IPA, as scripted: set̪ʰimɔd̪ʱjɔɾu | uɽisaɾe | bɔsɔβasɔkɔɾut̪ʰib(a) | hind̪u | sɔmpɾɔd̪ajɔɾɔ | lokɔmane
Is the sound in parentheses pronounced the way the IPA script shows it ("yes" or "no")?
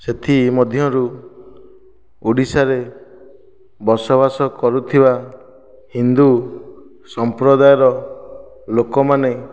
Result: yes